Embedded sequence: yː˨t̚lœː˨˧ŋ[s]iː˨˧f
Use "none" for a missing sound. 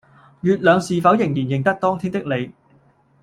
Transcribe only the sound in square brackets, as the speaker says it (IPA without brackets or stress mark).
s